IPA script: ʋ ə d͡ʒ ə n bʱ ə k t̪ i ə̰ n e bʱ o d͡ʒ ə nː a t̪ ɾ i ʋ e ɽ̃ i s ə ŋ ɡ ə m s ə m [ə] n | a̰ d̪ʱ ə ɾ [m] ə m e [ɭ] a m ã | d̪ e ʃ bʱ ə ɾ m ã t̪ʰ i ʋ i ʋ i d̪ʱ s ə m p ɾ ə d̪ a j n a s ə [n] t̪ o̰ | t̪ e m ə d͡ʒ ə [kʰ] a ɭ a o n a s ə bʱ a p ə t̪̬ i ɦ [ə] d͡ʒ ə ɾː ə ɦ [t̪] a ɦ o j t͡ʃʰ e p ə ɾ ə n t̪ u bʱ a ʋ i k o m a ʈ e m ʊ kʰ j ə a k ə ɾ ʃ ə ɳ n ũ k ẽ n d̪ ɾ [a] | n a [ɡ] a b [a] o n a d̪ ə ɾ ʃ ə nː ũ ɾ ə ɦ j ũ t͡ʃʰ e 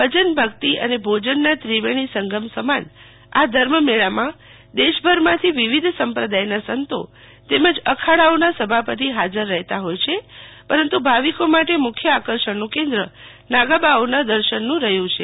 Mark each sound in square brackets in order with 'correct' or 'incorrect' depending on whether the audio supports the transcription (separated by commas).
incorrect, correct, correct, correct, correct, incorrect, correct, incorrect, correct, correct